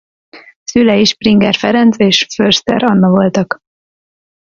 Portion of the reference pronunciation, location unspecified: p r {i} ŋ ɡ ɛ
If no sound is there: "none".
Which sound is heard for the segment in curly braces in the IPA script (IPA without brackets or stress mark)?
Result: i